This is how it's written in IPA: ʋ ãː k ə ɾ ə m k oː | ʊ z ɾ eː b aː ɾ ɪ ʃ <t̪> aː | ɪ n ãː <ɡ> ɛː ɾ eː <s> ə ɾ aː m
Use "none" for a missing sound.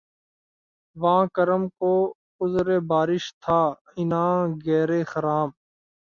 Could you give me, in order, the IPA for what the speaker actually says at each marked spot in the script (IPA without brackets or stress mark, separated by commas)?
t̪ʰ, ɡ, x